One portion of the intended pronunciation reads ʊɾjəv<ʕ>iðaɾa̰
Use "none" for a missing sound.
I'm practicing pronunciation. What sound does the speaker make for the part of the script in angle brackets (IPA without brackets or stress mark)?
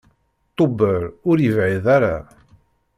ʕ